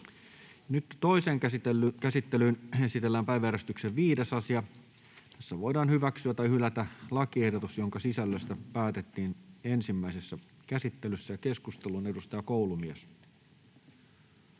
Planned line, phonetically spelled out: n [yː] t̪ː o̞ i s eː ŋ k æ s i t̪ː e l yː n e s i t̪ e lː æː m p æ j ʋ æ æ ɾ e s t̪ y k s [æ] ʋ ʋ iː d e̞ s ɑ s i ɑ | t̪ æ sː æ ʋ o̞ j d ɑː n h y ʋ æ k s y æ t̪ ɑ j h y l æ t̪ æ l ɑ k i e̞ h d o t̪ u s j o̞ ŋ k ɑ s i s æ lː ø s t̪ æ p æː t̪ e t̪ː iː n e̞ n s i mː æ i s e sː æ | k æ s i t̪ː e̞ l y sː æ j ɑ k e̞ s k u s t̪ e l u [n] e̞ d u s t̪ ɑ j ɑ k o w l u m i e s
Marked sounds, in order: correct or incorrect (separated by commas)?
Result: incorrect, incorrect, correct